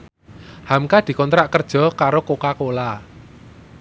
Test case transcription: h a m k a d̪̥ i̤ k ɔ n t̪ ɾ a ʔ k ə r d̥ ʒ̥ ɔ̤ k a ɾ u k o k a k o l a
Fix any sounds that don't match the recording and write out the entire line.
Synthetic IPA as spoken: h a m k a d̪̥ i̤ k ɔ n t̪ ɾ a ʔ k ə r d̥ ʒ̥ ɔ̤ k a ɾ o k o k a k o l a